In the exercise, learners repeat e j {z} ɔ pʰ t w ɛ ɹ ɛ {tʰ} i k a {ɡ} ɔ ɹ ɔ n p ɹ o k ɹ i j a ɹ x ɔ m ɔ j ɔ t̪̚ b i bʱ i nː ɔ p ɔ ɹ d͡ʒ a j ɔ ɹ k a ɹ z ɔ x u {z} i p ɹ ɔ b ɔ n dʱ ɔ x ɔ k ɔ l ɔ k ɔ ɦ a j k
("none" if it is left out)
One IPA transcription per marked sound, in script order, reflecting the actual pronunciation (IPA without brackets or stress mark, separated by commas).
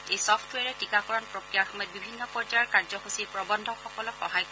s, t, k, s